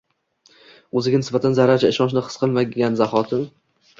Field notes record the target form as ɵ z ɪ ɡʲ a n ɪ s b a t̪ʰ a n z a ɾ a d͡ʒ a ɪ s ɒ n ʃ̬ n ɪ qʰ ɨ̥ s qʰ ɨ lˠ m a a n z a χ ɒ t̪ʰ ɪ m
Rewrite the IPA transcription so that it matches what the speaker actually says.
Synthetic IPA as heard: ɵ z ɪ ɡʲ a n ɪ s b a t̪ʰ a n z a ɾ a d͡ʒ a ɪ ʃ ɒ n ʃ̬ n ɪ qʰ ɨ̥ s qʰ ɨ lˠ m a a n z a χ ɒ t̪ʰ ɪ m